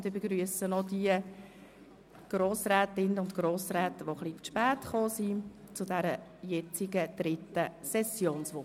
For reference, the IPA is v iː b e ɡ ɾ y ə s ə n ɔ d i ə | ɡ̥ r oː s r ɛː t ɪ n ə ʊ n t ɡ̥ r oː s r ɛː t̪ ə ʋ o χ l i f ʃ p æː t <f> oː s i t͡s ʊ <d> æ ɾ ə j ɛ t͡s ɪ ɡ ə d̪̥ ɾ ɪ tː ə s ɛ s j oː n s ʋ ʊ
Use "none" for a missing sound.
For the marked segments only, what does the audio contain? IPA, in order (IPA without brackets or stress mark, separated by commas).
χ, d